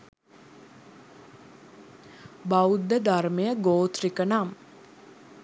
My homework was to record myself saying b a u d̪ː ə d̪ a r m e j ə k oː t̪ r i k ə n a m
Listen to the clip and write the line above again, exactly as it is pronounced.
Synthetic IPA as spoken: b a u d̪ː ə d̪ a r m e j ə ɡ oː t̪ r i k ə n a m

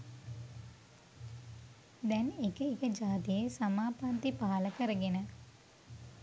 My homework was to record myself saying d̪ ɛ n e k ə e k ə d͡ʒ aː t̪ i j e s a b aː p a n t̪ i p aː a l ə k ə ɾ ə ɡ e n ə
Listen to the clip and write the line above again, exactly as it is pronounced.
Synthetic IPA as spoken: d̪ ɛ n e k ə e k ə d͡ʒ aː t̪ i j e s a m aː p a n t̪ i p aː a l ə k ə ɾ ə ɡ e n ə

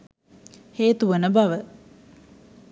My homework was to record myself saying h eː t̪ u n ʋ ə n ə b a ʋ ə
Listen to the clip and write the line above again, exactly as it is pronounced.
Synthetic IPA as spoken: h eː t̪ u ʋ ə n ə b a ʋ ə

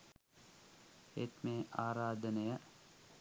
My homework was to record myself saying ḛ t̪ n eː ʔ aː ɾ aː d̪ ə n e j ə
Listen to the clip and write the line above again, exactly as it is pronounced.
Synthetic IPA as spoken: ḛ t̪ m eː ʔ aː ɾ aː d̪ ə n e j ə

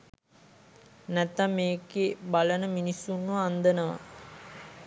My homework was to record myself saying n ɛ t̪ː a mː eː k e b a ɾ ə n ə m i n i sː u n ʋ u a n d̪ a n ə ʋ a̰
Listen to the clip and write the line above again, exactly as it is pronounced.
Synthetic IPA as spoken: n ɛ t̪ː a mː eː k e b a l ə n ə m i n i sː u n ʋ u a n d̪ ə n ə ʋ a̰

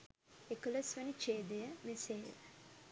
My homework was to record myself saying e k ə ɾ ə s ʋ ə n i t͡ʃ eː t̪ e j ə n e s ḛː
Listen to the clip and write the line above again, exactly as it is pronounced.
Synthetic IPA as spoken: e k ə l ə s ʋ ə n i t͡ʃ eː d̪ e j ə m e s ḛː

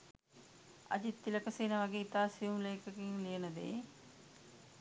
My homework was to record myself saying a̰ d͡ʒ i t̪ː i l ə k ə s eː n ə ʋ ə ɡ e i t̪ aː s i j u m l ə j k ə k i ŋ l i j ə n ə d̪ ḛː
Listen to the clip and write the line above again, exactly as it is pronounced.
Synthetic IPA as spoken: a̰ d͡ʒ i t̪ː i l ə k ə s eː n ə ʋ a ɡ e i t̪ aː s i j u m l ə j k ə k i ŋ l i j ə n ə d̪ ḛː

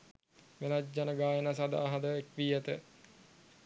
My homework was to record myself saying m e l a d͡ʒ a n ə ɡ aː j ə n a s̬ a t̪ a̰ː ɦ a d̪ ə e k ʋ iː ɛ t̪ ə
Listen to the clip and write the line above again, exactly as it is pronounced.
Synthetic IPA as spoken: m e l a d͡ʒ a n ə ɡ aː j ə n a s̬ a d̪ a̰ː ɦ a d̪ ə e k ʋ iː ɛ t̪ ə

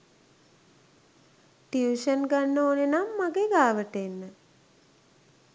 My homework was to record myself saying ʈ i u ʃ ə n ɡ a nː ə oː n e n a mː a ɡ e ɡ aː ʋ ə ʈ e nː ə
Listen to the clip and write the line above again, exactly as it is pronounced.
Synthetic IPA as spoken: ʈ i u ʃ ə n ɡ a nː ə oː n e n a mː a ɡ e ɡ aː ʋ ə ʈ e nː ə

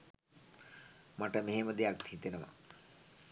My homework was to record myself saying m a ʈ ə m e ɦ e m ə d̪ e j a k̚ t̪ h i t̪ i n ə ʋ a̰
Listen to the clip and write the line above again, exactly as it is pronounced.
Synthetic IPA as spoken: m a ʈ ə m e ɦ e m ə d̪ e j a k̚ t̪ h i t̪ e n ə ʋ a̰

